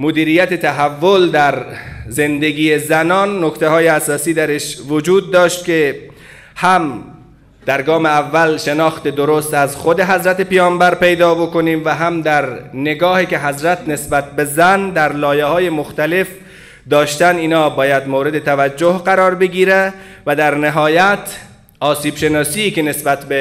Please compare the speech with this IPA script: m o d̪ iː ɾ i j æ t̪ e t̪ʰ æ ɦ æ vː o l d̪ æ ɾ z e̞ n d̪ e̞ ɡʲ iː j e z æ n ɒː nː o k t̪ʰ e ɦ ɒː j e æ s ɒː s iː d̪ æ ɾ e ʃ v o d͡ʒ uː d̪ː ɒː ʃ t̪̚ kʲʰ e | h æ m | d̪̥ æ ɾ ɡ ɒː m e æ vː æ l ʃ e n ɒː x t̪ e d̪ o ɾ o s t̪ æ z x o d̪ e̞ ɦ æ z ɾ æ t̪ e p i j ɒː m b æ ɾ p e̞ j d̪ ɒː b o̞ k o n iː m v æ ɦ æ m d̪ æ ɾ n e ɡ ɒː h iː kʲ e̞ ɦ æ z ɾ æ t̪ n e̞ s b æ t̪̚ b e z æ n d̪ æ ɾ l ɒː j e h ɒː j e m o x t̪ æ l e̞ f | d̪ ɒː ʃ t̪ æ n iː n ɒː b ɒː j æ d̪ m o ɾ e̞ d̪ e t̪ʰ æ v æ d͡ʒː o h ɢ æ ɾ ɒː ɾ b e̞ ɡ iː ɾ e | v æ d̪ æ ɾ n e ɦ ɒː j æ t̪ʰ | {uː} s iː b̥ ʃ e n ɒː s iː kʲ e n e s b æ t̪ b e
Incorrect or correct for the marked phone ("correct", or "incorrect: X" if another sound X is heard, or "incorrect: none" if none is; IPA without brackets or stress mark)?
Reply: incorrect: ɒː